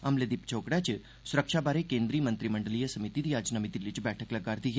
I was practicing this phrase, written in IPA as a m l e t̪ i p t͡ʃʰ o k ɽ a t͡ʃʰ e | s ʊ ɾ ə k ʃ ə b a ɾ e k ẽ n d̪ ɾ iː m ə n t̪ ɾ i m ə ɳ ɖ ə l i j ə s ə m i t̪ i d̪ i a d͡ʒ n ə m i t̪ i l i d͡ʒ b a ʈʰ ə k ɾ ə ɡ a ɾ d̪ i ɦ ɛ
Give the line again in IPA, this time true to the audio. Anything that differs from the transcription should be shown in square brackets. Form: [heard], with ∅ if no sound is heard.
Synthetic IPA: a m l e [d̪] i p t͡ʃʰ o k ɽ a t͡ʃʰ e | s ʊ ɾ ə k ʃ [a] b a ɾ e k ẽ n d̪ ɾ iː m ə n t̪ ɾ i m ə ɳ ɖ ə l i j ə s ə m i t̪ i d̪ i a d͡ʒ n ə m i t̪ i l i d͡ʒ b [ɛ] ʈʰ ə k [l] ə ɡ a ɾ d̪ i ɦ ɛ